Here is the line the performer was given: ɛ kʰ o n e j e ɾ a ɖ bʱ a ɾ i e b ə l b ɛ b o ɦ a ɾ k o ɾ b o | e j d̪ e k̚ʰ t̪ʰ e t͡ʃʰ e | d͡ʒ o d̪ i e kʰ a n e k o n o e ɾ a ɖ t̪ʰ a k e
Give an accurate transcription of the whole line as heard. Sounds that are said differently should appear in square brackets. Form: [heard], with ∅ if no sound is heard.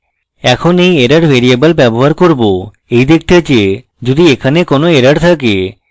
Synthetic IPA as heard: ɛ kʰ o n e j e ɾ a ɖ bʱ [e] ɾ i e b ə l b ɛ b o ɦ a ɾ k o ɾ b o | e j d̪ e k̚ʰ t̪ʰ e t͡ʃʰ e | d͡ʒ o d̪ i e kʰ a n e k o n o e ɾ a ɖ t̪ʰ a k e